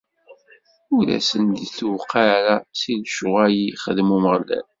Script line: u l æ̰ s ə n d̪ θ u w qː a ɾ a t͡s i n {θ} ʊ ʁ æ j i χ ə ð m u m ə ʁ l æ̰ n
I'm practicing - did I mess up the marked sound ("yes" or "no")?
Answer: yes